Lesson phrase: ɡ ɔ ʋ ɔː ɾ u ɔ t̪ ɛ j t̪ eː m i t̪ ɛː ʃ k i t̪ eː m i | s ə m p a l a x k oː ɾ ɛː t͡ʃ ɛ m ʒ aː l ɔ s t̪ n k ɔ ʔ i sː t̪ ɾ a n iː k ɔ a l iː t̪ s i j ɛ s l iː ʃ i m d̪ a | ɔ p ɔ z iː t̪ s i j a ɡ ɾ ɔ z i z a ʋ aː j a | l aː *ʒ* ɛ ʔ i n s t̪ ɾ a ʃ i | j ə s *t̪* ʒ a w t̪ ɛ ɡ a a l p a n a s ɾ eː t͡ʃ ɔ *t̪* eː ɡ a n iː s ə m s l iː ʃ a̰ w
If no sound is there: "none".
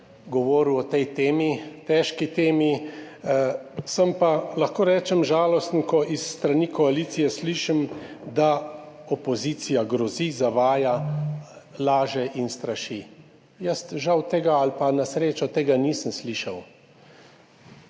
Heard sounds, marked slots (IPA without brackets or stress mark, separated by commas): ʒ, t̪, t̪